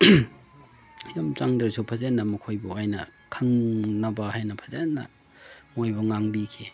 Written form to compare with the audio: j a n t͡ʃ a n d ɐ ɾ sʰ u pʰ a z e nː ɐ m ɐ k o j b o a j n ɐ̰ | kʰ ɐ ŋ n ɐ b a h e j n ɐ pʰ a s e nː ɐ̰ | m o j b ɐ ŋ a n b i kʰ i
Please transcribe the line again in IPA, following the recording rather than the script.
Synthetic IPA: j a m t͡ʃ a ŋ d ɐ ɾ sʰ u pʰ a z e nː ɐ m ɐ kʰ o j b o a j n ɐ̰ | kʰ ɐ ŋ n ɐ b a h a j n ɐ pʰ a z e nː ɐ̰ | m o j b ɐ ŋ a ŋ b i kʰ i